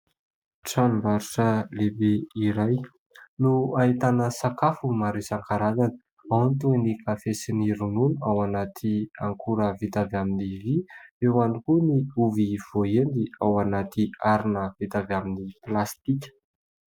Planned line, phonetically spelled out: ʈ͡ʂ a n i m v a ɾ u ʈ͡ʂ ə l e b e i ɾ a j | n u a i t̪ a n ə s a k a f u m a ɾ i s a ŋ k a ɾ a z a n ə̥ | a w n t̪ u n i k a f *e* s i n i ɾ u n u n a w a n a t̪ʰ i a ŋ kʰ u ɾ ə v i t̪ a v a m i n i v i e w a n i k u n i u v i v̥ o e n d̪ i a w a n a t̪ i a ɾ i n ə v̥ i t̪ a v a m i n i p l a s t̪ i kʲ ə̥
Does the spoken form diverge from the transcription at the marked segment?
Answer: no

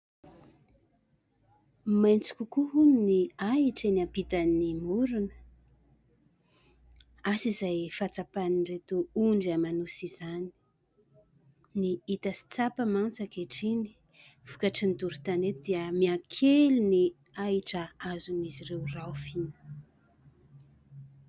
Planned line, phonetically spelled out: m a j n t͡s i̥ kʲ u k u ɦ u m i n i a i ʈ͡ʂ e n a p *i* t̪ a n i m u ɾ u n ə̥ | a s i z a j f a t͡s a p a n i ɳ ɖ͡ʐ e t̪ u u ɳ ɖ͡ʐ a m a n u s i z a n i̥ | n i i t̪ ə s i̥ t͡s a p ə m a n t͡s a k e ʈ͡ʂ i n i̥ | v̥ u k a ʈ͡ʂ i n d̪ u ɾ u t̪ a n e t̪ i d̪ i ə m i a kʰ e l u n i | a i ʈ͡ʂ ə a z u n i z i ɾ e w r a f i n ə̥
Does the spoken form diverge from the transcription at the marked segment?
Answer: no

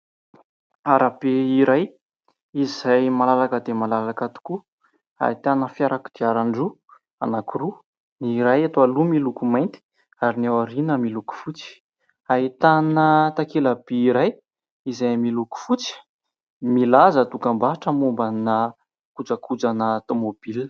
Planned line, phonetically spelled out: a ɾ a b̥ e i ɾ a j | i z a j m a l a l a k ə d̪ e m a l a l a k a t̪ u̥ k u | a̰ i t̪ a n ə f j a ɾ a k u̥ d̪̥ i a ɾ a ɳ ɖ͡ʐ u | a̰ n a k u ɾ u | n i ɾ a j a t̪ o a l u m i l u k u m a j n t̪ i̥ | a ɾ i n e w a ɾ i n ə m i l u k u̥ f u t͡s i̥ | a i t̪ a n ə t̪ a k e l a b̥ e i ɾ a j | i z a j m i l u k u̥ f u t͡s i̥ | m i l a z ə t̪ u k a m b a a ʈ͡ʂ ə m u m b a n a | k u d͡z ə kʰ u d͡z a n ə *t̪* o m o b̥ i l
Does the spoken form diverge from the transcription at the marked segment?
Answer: no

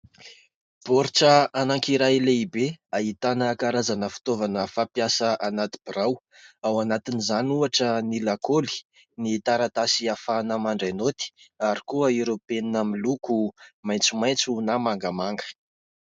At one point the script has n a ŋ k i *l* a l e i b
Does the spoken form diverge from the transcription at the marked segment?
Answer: yes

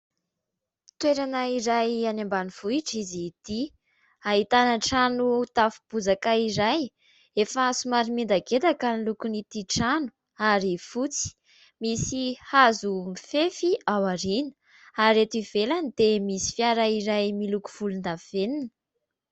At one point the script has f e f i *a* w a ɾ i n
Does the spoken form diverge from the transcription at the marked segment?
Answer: no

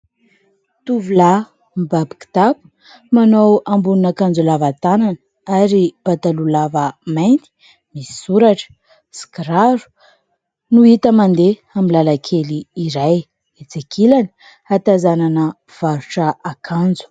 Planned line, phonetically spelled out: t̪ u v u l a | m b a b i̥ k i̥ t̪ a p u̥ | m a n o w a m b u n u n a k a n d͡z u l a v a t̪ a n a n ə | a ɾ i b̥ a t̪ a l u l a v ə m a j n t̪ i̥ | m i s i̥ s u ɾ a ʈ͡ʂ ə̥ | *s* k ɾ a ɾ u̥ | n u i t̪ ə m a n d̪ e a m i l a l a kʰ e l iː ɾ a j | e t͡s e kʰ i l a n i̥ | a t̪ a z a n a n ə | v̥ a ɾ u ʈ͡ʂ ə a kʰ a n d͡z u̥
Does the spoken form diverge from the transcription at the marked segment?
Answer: no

